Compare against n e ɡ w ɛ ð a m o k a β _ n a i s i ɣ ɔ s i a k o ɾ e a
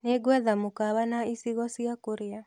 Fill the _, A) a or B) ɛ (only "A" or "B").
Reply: A